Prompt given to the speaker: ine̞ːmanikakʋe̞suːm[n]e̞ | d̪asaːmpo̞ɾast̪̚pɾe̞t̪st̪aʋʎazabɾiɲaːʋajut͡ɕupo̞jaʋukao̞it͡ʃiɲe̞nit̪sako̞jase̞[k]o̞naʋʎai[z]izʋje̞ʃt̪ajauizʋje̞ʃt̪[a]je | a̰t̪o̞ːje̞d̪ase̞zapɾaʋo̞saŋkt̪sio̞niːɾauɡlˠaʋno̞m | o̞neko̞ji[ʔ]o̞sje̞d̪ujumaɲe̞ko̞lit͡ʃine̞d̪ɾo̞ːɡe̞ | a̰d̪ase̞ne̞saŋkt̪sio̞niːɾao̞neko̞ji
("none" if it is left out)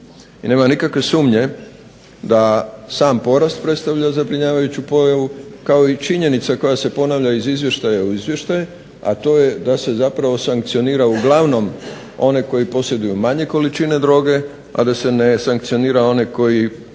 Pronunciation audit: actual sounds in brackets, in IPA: ɲ, p, z, a, p

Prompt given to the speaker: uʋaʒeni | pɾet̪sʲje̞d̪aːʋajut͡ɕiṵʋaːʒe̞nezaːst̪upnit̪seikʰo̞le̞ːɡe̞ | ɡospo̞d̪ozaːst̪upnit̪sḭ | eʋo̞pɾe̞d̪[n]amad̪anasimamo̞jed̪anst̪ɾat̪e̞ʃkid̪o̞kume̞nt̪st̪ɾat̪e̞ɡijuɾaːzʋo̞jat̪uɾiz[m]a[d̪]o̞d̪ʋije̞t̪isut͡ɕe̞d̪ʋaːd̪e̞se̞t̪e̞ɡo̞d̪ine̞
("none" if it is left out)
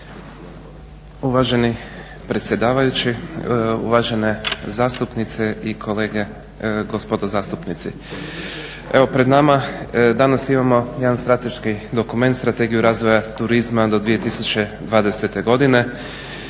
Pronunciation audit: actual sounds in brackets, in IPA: n, m, d̪

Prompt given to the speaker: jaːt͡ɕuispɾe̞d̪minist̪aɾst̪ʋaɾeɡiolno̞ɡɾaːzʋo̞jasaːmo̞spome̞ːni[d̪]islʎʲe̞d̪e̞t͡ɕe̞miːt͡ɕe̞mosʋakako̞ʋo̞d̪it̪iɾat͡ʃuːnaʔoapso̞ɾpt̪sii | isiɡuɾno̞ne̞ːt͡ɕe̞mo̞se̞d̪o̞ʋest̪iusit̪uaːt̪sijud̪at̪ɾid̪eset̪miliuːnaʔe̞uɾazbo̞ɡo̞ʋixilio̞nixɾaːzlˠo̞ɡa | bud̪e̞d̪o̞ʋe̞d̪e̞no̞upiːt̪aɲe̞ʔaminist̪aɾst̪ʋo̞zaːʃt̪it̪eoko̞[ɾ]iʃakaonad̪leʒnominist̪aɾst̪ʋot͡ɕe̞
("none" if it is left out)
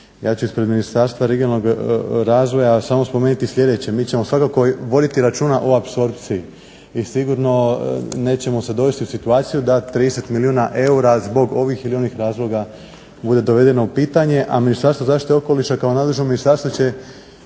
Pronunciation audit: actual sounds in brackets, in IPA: t̪, l

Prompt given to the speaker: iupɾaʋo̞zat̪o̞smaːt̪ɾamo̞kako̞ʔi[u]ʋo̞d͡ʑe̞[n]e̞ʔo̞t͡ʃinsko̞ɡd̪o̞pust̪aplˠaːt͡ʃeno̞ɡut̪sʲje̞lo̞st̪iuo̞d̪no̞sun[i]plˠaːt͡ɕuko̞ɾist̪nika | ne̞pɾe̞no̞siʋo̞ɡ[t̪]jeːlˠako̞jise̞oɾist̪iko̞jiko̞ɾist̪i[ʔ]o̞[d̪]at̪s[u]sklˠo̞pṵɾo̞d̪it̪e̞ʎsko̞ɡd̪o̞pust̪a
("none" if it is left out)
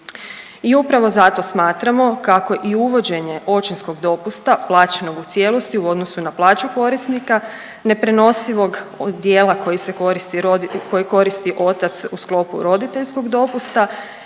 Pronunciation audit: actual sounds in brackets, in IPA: u, ɲ, a, d̪, ʔ, t̪, u

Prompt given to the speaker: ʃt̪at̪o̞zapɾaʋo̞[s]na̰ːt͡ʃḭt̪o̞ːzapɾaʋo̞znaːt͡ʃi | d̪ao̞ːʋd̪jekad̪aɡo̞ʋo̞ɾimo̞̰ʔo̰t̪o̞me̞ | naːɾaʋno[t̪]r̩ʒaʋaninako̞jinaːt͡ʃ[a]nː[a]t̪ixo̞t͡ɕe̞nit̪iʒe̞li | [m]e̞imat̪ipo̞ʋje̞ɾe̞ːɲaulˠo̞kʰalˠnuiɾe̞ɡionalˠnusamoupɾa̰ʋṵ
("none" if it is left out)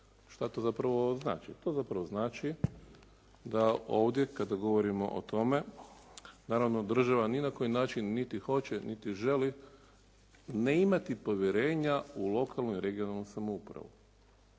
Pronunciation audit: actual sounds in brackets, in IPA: z, d̪, i, i, n

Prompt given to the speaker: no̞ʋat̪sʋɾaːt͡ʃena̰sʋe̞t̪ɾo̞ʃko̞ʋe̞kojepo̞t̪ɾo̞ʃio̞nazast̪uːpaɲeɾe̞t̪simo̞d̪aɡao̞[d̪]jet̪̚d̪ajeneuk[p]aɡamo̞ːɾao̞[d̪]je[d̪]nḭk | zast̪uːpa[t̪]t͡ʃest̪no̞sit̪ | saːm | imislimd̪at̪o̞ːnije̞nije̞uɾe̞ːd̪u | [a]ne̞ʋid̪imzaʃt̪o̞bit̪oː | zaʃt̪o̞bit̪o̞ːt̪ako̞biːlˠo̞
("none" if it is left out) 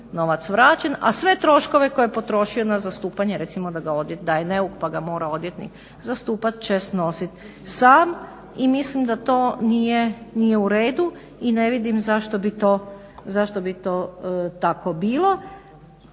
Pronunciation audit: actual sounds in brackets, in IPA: d̪, p, d̪, t̪, t̪, i

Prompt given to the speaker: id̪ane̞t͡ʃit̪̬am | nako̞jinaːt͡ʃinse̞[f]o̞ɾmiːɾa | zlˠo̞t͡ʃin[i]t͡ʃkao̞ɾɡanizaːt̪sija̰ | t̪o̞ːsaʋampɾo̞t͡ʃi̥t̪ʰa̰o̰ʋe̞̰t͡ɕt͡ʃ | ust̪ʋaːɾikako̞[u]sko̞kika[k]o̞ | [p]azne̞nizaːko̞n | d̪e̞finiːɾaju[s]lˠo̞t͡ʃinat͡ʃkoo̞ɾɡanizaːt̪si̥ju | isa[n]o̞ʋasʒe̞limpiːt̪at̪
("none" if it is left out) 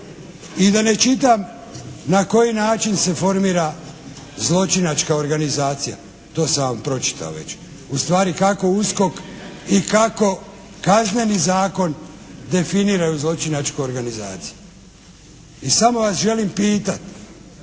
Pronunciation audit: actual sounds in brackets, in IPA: f, a, u, k, k, z, m

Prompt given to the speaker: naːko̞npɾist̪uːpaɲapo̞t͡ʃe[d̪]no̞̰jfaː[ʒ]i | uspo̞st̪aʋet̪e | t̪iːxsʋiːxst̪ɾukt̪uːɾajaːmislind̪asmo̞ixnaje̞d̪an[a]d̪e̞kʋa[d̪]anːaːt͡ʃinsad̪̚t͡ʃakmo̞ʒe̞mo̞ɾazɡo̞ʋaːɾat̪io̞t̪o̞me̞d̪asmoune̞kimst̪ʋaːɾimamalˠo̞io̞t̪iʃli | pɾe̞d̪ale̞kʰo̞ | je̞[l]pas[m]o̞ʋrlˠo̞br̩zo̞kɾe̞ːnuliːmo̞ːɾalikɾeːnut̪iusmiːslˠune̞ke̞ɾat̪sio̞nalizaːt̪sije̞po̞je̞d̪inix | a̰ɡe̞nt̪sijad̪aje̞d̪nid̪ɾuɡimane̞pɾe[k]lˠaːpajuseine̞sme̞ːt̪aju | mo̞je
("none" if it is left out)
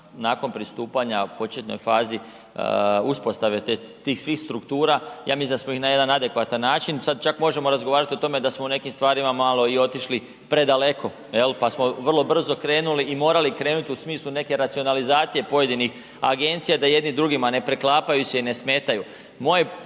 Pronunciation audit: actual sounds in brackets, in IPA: t̪, z, a, t̪, l, m, k

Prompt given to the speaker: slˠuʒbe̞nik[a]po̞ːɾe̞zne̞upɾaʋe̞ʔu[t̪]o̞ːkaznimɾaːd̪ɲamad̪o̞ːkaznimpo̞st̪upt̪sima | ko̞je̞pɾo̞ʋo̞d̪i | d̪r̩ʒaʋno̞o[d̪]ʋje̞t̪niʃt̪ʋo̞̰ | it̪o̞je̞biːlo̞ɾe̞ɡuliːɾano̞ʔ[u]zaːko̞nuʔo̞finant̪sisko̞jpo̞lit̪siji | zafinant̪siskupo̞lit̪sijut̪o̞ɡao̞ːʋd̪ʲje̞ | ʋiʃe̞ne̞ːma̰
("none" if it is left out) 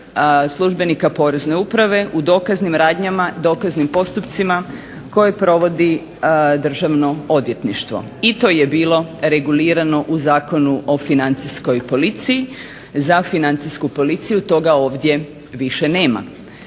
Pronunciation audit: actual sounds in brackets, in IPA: a, d̪, d̪, u

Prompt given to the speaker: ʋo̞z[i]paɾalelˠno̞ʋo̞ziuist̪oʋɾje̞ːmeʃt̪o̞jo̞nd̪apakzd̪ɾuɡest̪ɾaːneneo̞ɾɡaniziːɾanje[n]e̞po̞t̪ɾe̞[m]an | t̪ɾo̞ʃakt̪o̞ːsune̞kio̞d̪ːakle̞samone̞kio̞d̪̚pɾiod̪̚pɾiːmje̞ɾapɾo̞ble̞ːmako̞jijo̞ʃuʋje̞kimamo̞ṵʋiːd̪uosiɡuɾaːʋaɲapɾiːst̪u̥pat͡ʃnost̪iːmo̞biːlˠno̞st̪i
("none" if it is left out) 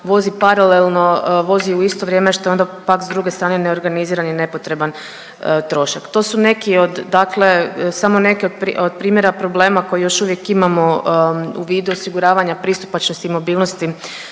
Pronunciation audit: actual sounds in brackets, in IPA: i, n, b

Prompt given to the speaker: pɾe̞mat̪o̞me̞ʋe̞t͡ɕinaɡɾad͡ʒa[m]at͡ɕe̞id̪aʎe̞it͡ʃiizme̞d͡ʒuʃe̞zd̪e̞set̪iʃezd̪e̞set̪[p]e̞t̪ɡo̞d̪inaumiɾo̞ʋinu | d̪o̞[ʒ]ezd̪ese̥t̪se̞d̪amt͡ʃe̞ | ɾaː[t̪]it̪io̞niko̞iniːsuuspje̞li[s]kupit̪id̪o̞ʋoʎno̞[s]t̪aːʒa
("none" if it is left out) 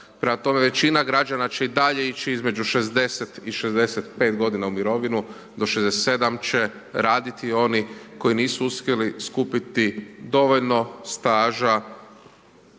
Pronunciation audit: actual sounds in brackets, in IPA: n, p, ʃ, d̪, s, s

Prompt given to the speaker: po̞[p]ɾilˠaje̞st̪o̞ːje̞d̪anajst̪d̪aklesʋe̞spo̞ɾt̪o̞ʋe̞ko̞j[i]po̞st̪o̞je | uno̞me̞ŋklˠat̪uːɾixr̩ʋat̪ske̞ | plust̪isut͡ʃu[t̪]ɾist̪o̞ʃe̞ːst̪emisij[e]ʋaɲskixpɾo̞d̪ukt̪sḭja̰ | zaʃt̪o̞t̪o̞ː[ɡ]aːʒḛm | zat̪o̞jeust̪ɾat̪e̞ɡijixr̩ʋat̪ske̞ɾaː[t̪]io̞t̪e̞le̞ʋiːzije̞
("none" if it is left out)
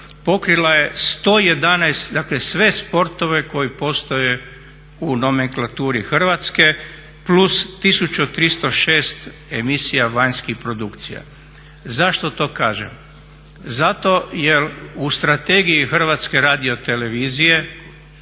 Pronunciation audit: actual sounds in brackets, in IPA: k, i, t̪, a, k, d̪

